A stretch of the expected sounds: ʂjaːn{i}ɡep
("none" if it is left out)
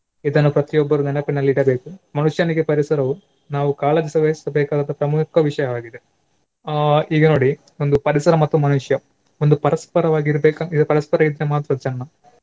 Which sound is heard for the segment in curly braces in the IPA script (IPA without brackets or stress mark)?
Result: i